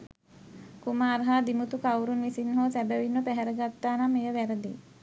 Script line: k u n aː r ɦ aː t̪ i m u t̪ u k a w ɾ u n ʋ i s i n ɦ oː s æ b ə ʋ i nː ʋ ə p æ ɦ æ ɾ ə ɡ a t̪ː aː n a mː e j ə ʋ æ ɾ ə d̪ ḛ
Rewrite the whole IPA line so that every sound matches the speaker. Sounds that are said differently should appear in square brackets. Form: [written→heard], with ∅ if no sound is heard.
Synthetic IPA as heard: k u [n→m] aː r ɦ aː [t̪→d̪] i m u t̪ u k a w ɾ u n ʋ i s i n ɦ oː s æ b ə ʋ i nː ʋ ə p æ ɦ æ ɾ ə ɡ a t̪ː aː n a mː e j ə ʋ æ ɾ ə d̪ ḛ